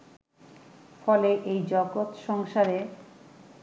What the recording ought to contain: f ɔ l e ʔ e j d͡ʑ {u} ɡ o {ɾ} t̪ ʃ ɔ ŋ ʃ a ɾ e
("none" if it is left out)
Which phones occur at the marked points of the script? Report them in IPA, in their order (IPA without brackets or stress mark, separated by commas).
ɔ, none